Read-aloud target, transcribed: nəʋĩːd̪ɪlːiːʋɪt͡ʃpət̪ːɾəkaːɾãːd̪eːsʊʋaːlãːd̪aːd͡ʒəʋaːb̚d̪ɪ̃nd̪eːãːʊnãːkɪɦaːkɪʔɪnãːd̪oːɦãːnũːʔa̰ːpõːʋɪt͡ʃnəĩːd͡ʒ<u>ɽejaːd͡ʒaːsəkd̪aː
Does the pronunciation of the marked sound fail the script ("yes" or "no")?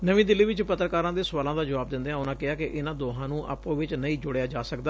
yes